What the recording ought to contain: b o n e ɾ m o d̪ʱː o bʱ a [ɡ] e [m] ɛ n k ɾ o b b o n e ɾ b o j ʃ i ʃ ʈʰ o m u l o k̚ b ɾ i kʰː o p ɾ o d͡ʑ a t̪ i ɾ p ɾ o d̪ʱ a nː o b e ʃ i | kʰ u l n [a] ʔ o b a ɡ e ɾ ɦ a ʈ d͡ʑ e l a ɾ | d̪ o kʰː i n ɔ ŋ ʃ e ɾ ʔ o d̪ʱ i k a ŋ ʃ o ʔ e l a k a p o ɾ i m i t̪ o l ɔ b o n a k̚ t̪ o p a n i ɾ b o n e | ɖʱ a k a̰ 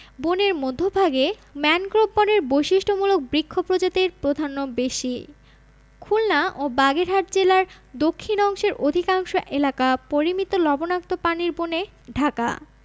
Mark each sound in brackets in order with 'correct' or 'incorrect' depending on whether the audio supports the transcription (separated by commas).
correct, correct, correct